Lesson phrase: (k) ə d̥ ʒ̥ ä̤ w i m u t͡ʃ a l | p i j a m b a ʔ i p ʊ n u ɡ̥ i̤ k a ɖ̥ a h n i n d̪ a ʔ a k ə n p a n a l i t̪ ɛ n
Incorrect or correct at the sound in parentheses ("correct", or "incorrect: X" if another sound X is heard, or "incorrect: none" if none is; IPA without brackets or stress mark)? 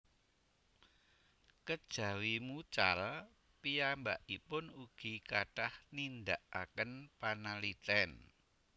correct